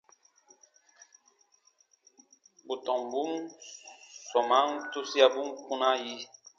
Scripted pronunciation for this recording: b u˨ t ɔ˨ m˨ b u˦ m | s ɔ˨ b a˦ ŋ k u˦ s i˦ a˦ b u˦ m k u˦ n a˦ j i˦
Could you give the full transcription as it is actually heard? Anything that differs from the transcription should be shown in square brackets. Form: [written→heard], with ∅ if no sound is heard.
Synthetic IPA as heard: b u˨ t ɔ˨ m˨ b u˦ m | s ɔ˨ [b→m] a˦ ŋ [k→t] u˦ s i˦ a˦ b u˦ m k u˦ n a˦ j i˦